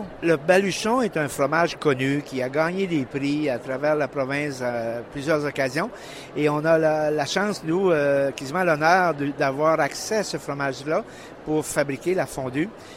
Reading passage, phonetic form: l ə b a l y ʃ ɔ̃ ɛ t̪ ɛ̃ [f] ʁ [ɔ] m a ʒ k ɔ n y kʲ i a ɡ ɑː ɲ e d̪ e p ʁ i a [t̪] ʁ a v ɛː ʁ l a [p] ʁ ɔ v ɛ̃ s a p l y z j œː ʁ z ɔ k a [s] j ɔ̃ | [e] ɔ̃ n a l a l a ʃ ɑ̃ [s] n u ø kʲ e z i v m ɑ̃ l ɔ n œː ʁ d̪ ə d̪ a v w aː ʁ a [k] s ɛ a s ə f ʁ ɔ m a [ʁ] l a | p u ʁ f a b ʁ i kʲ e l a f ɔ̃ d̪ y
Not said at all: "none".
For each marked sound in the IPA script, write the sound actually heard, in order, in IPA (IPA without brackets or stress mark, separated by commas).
f, ɔ, t̪, p, z, e, s, k, ʒ